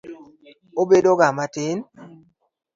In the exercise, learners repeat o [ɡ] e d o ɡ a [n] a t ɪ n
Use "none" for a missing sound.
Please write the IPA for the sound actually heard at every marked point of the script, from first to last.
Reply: b, m

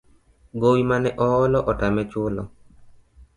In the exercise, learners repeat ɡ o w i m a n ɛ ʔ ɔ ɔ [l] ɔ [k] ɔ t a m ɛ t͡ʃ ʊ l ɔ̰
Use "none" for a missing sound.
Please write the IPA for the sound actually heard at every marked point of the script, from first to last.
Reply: l, ʔ

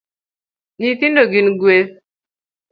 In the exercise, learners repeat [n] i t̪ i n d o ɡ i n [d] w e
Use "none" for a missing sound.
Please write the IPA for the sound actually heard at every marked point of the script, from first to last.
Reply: n, ɡ

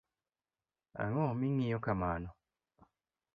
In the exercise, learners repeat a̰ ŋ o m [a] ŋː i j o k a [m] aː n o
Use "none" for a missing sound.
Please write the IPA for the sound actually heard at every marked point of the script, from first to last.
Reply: i, m

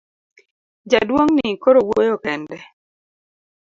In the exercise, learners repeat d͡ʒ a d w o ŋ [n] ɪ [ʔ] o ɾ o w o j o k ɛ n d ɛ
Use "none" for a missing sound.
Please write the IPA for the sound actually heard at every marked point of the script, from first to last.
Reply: n, k

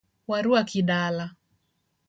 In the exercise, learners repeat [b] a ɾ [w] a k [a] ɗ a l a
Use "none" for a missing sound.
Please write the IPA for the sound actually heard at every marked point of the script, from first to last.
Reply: w, u, i

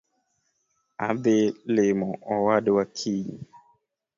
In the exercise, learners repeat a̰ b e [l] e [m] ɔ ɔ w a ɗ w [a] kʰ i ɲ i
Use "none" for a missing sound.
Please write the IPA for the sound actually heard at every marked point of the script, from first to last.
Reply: l, m, a

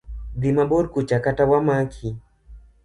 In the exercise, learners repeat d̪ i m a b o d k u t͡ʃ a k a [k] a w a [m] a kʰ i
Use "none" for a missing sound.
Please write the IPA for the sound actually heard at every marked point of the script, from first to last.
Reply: t, m

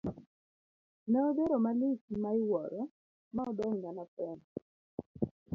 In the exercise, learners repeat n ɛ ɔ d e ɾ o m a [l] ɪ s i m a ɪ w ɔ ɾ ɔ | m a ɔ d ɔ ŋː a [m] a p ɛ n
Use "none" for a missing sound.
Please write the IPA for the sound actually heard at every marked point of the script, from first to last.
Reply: l, n

